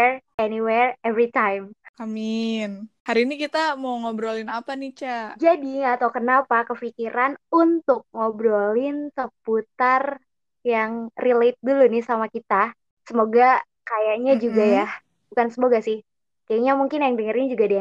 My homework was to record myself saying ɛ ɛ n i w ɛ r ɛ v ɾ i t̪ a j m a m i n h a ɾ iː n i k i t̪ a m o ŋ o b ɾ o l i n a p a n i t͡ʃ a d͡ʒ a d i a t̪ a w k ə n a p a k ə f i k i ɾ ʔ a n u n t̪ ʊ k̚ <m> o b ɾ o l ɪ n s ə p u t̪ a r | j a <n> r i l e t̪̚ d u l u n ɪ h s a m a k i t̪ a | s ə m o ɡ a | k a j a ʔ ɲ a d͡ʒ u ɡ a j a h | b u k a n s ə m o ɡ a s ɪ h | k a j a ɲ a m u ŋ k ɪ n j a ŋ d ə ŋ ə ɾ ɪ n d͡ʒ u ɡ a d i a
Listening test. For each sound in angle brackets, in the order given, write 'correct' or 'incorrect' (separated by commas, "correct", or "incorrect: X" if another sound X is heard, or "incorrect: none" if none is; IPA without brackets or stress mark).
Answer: incorrect: ŋ, incorrect: ŋ